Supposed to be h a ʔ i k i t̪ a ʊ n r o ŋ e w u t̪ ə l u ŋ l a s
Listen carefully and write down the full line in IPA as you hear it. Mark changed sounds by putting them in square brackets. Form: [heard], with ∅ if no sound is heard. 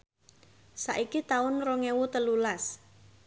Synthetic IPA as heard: [s] a ʔ i k i t̪ a ʊ n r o ŋ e w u t̪ ə l u [∅] l a s